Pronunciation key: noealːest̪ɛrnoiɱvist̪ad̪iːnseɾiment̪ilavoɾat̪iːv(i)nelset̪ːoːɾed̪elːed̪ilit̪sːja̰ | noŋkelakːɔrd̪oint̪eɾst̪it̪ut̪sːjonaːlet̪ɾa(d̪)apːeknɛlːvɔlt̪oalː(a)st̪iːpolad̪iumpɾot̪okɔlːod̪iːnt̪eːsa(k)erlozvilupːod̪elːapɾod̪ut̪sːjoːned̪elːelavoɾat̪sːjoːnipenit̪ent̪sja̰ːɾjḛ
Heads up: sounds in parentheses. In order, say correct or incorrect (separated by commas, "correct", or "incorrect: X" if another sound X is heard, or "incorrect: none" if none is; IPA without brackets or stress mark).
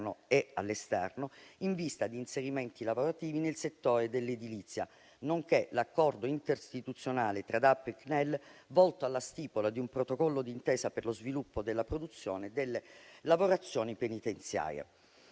correct, correct, correct, incorrect: p